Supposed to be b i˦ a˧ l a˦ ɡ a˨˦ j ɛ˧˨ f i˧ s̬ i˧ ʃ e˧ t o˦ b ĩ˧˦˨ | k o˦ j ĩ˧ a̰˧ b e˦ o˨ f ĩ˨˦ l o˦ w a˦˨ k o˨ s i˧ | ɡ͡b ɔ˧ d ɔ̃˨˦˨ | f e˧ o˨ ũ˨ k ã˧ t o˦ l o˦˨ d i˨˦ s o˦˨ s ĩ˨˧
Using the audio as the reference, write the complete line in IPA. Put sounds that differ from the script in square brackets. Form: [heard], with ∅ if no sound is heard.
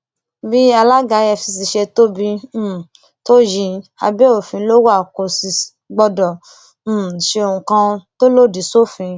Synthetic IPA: b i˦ a˧ l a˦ ɡ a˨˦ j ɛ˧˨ f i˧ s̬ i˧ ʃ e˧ t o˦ b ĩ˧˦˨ | [t] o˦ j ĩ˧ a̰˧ b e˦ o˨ f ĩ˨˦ l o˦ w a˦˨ k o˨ s i˧ | ɡ͡b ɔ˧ d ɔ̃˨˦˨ | [ʃ] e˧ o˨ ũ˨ k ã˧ t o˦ l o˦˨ d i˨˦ s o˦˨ [f] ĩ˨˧